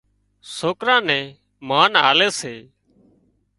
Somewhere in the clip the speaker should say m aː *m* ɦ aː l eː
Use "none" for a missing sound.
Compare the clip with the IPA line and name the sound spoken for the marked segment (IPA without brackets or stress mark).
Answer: n